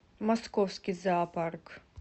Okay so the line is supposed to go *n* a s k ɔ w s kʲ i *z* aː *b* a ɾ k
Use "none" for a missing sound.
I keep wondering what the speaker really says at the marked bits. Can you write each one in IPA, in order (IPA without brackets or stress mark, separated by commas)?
m, z, p